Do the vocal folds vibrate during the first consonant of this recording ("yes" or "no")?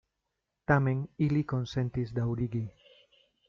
no